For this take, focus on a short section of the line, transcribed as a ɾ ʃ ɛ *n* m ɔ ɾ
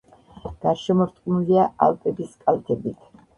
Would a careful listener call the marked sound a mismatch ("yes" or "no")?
yes